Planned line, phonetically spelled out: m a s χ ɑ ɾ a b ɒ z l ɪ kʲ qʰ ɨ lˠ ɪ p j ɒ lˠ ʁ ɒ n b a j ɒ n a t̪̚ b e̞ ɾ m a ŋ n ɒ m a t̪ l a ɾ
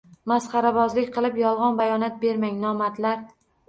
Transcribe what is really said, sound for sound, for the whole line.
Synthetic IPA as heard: m a s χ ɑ ɾ a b ɒ z l ɪ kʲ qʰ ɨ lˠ ɪ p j ɒ lˠ ʁ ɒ n b a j ɒ n a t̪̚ b e̞ ɾ m a ŋ n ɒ m a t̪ l a ɾ